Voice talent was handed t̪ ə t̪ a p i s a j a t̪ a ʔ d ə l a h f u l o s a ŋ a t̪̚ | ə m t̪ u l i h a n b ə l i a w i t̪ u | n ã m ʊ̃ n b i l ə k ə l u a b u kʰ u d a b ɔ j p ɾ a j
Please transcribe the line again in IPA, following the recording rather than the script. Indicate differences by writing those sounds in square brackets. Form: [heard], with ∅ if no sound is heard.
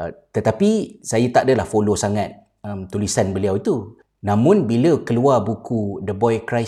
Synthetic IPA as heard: t̪ ə t̪ a p i s a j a t̪ a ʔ d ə l a h f [o] l o s a ŋ a t̪̚ | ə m t̪ u l i [s] a n b ə l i a w i t̪ u | n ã m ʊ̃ n b i l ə k ə l u a b u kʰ u d [ə] b ɔ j [k] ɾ a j